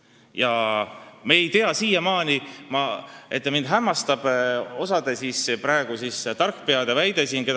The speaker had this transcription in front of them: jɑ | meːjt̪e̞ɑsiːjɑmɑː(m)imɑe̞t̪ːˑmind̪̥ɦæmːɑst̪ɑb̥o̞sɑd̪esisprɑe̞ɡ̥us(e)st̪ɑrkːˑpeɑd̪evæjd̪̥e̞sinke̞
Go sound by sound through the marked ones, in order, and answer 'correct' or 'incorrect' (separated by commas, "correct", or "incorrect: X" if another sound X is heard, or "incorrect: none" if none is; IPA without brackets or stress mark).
incorrect: n, incorrect: i